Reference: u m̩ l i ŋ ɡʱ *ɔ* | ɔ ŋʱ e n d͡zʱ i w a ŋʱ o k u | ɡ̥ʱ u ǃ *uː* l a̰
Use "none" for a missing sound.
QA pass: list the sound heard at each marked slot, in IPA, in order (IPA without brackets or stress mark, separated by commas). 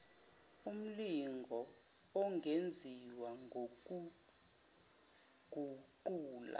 ɔ, uː